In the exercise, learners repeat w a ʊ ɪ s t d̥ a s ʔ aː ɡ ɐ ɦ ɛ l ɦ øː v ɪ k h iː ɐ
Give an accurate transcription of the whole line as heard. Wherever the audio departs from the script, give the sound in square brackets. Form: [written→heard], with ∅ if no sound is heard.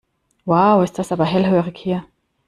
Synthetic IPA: w a ʊ ɪ s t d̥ a s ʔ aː [ɡ→b] ɐ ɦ ɛ l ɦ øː [v→ʁ] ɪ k h iː ɐ